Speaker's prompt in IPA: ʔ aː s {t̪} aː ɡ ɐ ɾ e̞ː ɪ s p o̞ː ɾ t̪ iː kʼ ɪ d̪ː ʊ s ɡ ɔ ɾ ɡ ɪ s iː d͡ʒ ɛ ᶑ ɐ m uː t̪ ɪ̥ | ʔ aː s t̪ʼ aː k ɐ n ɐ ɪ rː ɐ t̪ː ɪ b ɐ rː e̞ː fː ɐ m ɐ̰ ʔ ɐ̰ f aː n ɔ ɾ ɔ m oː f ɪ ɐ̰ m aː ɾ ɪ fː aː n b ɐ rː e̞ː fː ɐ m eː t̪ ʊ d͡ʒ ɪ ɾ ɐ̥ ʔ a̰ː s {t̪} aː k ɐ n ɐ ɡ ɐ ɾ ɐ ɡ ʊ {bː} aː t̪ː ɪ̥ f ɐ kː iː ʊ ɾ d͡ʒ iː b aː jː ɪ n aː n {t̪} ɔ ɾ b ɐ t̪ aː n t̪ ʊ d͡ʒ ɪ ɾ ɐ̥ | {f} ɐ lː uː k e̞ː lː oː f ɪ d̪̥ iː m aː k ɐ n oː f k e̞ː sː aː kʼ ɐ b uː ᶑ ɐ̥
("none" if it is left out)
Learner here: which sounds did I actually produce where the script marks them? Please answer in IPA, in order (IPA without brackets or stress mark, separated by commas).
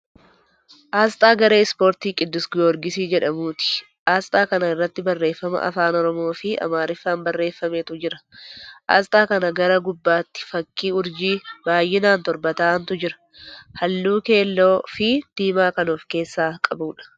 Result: t̪ʼ, t̪ʼ, bː, t̪, h